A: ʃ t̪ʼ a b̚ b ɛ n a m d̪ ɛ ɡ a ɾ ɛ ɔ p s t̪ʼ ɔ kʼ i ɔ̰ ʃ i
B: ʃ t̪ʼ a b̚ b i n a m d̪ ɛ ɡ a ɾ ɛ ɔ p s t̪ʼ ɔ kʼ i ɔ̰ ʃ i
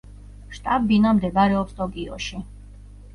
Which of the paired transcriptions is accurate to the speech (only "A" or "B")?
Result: B